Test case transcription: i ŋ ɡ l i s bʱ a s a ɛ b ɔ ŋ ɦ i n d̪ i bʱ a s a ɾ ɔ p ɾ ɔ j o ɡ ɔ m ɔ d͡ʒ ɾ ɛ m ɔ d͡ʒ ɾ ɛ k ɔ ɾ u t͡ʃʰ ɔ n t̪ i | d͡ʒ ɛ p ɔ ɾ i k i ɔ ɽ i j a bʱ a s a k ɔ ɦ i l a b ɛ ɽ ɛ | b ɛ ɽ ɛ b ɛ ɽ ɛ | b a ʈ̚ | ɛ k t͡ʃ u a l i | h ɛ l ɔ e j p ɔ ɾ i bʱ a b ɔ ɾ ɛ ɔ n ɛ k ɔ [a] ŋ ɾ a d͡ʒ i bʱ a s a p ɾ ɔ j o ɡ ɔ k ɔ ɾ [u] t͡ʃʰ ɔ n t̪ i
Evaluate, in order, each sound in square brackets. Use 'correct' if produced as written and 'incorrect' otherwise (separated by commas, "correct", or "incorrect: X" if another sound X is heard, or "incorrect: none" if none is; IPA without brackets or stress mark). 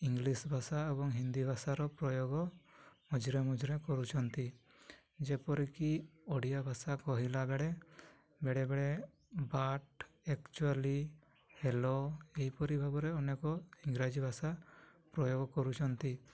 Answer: incorrect: i, correct